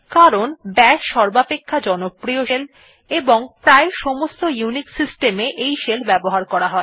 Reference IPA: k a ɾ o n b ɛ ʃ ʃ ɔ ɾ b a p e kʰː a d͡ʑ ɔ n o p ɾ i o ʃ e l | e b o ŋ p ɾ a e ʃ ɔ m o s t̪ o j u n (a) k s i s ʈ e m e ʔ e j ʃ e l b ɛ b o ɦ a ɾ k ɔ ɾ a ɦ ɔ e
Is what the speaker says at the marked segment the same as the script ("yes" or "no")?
no